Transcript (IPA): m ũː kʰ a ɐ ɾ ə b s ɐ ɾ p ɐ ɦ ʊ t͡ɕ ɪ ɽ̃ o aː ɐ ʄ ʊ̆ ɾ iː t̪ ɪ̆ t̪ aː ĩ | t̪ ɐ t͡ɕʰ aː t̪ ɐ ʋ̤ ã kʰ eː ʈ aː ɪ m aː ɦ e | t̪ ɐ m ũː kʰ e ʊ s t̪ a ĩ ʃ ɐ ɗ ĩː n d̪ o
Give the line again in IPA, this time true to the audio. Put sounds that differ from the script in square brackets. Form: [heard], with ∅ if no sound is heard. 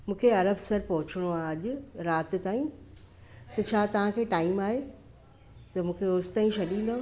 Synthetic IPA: m ũː kʰ [e] ɐ ɾ ə b s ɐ ɾ p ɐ ɦ ʊ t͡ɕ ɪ ɽ̃ o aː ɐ ʄ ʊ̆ ɾ [aː] t̪ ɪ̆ t̪ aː ĩ | t̪ ɐ t͡ɕʰ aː t̪ ɐ ʋ̤ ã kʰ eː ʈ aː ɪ m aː ɦ e | t̪ ɐ m ũː kʰ e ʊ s t̪ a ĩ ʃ ɐ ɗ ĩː n d̪ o